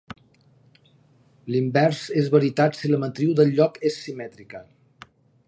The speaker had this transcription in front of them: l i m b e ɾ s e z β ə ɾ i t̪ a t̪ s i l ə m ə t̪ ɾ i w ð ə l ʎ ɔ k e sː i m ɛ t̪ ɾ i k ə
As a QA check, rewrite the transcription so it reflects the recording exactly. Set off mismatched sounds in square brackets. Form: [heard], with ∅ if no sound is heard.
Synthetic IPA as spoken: l i m b [ɛ] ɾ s e z β ə ɾ i t̪ a t̪ s i l ə m ə t̪ ɾ i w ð ə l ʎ ɔ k e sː i m ɛ t̪ ɾ i k ə